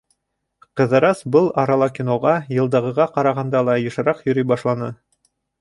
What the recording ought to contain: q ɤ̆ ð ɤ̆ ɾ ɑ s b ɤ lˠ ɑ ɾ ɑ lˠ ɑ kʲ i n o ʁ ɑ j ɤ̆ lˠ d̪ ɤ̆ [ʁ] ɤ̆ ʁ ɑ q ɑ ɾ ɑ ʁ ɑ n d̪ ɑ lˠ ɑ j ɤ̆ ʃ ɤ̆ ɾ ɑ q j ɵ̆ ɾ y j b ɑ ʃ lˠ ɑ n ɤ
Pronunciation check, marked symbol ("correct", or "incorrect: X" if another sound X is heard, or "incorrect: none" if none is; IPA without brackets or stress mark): correct